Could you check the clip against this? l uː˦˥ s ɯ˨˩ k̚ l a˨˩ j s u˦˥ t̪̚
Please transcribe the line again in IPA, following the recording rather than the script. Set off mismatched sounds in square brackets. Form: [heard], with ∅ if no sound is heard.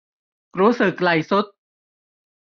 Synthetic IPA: [ɾ] uː˦˥ s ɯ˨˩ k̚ l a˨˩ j s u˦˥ t̪̚

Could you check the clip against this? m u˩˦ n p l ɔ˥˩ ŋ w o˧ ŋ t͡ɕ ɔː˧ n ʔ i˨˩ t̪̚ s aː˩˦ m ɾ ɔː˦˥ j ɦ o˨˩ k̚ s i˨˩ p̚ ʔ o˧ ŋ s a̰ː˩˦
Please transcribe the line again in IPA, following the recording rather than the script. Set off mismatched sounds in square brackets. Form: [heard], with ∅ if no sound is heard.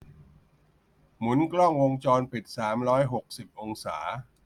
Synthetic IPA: m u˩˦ n [k] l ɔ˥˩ ŋ w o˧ ŋ t͡ɕ ɔː˧ n [p] i˨˩ t̪̚ s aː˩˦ m ɾ ɔː˦˥ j ɦ o˨˩ k̚ s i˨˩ p̚ ʔ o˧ ŋ s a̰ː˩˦

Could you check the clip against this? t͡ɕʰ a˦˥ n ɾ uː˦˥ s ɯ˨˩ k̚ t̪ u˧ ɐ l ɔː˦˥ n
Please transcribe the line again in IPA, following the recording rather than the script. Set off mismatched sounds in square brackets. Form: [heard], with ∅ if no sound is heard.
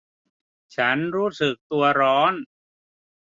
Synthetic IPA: t͡ɕʰ a˦˥ n ɾ uː˦˥ s ɯ˨˩ k̚ t̪ u˧ ɐ [ɾ] ɔː˦˥ n

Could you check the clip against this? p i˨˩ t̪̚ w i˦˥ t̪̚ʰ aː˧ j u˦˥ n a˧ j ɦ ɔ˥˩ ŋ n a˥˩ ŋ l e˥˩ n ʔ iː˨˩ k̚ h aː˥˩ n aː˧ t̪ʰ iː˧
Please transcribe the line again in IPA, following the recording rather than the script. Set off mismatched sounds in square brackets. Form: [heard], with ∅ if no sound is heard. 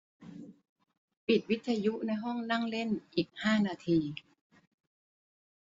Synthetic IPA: p i˨˩ t̪̚ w i˦˥ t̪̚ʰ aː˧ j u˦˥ n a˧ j ɦ ɔ˥˩ ŋ n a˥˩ ŋ l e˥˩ n ʔ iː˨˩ k̚ h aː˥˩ n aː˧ t̪ʰ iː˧

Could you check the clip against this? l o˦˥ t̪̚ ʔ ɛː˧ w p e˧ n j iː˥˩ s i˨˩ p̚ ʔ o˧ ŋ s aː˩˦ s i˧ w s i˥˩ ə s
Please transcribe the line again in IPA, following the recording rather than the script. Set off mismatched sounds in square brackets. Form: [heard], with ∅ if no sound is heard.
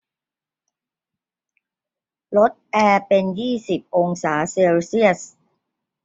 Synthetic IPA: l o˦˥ t̪̚ ʔ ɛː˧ [∅] p e˧ n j iː˥˩ s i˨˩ p̚ ʔ o˧ ŋ s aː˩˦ s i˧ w s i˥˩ ə s

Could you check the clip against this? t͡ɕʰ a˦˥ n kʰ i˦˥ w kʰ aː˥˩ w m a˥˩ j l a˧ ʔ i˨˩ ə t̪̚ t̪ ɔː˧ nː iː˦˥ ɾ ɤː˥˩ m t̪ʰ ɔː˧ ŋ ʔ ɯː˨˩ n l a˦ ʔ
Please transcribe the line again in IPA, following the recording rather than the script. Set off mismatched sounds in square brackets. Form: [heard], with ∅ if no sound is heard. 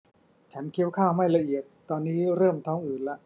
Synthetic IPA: t͡ɕʰ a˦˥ n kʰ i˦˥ w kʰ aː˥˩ w m a˥˩ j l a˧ ʔ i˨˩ ə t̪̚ t̪ ɔː˧ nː iː˦˥ ɾ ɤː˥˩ m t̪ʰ [ɔː˦˥] ŋ ʔ ɯː˨˩ n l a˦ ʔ

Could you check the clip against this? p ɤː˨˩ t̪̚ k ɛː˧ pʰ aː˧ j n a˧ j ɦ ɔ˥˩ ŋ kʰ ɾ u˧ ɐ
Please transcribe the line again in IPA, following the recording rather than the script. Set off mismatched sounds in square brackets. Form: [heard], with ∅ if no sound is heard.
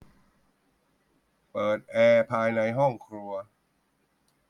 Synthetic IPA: p ɤː˨˩ t̪̚ [ʔ] ɛː˧ pʰ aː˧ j n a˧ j ɦ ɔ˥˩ ŋ kʰ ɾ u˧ ɐ

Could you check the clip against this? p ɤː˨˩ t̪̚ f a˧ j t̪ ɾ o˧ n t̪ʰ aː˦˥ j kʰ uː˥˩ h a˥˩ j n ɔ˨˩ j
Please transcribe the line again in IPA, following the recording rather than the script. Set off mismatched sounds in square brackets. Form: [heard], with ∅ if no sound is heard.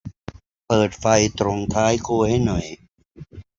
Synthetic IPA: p ɤː˨˩ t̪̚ f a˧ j t̪ ɾ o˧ [ŋ] t̪ʰ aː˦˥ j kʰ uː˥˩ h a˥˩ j n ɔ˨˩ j

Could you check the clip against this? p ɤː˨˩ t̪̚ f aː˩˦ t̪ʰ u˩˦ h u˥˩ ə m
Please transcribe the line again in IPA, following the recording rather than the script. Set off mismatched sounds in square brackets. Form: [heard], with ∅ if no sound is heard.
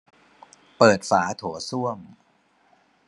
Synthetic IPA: p ɤː˨˩ t̪̚ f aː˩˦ t̪ʰ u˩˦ [s] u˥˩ ə m

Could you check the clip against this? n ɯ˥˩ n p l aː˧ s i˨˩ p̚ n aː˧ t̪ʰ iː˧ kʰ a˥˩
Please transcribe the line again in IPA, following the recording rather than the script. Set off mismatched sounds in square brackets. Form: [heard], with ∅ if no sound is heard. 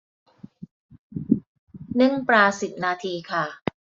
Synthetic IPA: n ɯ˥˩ [ŋ] p [ɾ] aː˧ s i˨˩ p̚ n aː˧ t̪ʰ iː˧ kʰ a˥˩

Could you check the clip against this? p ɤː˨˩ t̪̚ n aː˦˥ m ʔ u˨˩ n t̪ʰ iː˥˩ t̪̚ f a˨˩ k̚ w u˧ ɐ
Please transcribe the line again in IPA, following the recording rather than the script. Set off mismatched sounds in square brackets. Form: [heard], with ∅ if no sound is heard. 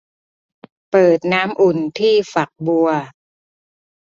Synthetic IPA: p ɤː˨˩ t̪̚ n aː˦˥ m ʔ u˨˩ n t̪ʰ iː˥˩ [∅] f a˨˩ k̚ [b] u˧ ɐ

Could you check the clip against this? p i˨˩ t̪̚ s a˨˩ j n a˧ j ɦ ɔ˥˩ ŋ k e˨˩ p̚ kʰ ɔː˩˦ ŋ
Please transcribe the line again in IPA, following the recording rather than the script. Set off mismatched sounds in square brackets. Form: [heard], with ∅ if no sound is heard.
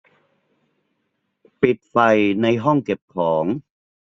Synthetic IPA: p i˨˩ t̪̚ [f] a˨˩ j n a˧ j ɦ ɔ˥˩ ŋ k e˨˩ p̚ kʰ ɔː˩˦ ŋ

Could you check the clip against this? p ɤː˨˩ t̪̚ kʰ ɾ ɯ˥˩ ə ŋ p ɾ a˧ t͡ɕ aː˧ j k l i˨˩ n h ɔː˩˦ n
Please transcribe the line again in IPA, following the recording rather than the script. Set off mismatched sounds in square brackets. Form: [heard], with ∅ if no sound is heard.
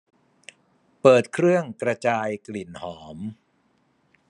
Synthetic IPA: p ɤː˨˩ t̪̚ kʰ ɾ ɯ˥˩ ə ŋ [k] ɾ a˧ t͡ɕ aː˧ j k l i˨˩ n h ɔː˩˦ [m]

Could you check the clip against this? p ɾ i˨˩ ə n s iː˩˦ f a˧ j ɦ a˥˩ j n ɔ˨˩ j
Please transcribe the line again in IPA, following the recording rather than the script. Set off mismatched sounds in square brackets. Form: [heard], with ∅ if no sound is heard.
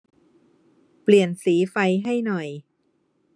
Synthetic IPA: p [l] i˨˩ ə n s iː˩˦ f a˧ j ɦ a˥˩ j n ɔ˨˩ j

